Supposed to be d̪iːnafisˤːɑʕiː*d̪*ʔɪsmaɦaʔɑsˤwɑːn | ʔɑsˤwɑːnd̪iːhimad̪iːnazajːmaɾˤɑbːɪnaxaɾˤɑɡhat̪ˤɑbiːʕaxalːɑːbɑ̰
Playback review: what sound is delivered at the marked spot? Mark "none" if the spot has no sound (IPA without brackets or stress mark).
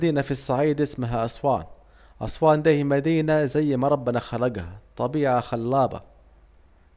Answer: d̪